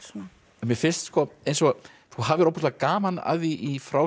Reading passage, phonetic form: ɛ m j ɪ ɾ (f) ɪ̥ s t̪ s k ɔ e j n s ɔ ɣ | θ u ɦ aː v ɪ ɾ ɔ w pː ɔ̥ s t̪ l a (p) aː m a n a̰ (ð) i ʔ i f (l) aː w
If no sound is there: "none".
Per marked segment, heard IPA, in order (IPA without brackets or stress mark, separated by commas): f, k, ð, ɾ